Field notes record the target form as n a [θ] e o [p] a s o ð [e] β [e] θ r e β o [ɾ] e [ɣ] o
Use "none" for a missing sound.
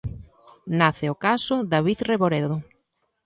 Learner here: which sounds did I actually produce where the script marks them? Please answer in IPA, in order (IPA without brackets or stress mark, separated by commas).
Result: θ, k, a, i, ɾ, ð